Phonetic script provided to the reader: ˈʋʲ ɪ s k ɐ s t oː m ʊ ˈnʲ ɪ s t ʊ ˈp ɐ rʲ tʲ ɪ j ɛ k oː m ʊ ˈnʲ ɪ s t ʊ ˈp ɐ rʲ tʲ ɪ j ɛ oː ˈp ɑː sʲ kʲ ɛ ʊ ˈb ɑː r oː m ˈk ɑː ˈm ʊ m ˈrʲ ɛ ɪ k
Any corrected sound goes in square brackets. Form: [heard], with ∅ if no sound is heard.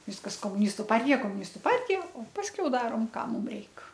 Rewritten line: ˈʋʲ ɪ s k ɐ s [k] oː m ʊ ˈnʲ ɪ s t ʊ ˈp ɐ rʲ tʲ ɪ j ɛ k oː m ʊ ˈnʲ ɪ s t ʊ ˈp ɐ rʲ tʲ ɪ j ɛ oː ˈp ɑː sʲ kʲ ɛ ʊ [ˈd] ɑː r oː m ˈk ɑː ˈm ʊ m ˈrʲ ɛ ɪ k